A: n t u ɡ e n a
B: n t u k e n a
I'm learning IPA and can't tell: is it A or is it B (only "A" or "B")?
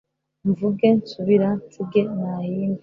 A